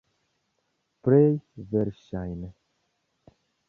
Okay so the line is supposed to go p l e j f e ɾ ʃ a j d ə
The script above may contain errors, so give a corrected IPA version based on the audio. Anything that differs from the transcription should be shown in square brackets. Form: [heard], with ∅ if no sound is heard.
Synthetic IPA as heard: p [ɾ] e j [v] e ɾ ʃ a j [n] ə